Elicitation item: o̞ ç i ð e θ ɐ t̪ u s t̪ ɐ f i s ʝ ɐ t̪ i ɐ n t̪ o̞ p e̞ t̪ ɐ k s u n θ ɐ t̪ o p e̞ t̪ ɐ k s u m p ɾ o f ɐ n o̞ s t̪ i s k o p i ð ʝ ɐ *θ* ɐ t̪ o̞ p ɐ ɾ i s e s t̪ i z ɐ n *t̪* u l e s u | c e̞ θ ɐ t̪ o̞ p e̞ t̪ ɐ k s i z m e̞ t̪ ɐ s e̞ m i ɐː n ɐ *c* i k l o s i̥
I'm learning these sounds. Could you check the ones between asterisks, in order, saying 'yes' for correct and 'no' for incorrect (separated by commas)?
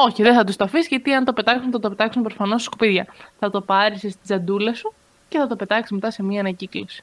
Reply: yes, no, yes